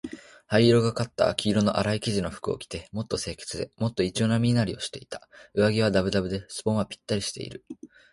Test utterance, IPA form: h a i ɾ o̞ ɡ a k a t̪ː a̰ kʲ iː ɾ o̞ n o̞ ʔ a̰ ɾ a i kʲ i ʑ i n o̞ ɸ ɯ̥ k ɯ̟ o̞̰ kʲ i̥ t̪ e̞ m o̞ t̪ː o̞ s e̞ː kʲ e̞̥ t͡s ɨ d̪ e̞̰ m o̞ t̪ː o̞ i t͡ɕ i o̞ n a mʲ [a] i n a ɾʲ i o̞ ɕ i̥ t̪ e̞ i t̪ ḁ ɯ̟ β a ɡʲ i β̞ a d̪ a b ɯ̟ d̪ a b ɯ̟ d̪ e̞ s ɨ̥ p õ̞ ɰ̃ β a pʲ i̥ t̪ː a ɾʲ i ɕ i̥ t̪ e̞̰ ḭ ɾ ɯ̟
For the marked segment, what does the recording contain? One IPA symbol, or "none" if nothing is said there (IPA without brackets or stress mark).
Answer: i